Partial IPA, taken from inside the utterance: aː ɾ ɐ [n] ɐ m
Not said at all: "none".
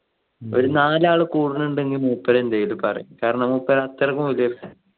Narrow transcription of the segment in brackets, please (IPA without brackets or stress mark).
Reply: ɳ